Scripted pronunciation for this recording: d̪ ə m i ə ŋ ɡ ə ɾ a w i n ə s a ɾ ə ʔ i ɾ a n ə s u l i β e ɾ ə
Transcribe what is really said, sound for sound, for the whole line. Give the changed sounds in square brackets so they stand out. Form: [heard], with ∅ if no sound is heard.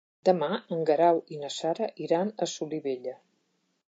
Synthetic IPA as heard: d̪ ə m [a] ə ŋ ɡ ə ɾ a w i n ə s a ɾ ə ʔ i ɾ a n ə s u l i β e [ʎ] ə